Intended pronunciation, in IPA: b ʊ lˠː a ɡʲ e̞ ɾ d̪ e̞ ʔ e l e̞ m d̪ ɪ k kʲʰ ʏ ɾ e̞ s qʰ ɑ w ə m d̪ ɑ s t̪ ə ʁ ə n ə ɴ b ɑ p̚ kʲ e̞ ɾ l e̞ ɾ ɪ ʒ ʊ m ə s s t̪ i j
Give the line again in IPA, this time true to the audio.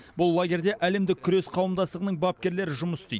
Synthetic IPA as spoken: b ʊ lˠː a ɡʲ e̞ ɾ d̪ e̞ ʔ æ l e̞ m d̪ ɪ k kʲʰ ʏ ɾ e̞ s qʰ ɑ w ə m d̪ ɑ s t̪ ə ʁ ə n ə ɴ b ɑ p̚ kʲ e̞ ɾ l e̞ ɾ ɪ ʒ ʊ m ə s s t̪ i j